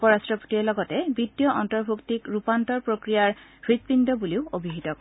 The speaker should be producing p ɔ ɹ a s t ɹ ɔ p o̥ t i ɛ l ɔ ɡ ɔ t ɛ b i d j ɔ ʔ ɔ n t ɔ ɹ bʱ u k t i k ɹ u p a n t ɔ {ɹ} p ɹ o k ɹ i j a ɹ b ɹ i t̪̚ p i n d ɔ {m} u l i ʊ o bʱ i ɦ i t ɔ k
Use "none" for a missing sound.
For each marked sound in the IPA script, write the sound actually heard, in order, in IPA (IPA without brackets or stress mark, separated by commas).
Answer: ɹ, b